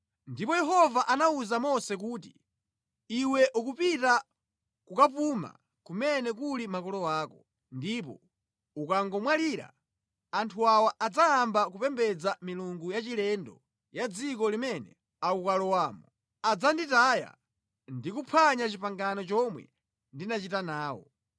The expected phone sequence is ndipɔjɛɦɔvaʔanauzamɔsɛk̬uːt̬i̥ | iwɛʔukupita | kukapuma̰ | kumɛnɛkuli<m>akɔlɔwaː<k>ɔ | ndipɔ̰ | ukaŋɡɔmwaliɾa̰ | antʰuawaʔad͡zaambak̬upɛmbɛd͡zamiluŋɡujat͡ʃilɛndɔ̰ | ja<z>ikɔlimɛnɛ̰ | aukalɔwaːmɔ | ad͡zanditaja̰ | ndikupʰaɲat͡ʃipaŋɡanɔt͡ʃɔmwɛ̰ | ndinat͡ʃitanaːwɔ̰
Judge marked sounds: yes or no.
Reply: yes, yes, no

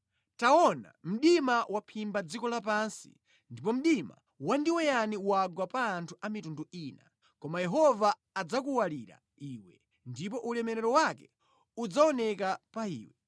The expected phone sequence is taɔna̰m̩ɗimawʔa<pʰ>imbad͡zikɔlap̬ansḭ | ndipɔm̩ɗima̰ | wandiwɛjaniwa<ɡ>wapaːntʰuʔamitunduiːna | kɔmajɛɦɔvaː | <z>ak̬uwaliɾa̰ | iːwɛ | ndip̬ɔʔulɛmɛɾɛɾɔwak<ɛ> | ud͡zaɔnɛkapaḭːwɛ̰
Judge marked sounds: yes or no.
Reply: yes, yes, no, yes

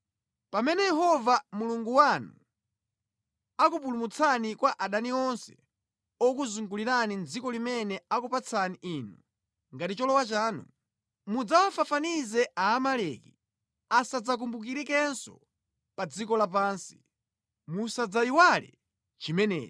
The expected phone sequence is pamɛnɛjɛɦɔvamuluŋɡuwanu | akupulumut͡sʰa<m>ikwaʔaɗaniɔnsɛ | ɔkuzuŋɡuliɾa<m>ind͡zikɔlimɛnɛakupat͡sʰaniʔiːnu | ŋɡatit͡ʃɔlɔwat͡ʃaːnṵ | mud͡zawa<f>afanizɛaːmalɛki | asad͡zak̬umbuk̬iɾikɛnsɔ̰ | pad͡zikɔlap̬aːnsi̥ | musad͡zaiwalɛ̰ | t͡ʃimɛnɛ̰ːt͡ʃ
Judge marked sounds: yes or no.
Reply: no, no, yes

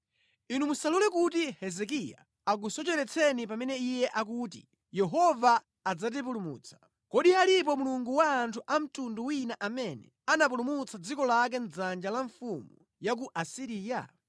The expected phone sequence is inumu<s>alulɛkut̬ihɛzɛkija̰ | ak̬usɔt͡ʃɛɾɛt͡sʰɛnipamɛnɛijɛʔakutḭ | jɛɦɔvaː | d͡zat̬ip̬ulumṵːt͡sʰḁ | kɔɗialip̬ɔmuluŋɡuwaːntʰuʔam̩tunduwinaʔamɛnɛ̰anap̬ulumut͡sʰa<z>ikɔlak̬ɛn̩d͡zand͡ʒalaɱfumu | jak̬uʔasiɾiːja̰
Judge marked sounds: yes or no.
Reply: yes, no

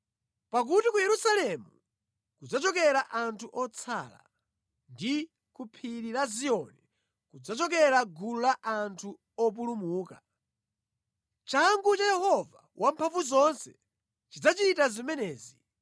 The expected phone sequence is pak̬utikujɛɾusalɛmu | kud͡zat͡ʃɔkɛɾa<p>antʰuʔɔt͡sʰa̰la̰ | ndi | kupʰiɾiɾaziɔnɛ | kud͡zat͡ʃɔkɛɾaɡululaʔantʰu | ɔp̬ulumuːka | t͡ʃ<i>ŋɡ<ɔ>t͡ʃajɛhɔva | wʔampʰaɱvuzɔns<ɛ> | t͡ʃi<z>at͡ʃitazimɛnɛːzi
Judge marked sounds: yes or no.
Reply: no, no, no, yes, no

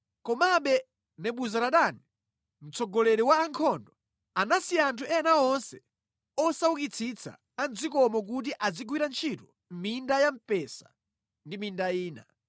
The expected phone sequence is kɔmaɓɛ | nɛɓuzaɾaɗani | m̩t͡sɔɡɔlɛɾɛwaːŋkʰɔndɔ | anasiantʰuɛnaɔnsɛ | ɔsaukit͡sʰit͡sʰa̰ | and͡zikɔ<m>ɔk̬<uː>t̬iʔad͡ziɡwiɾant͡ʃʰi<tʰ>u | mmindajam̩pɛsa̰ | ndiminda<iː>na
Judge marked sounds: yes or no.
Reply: yes, no, no, yes

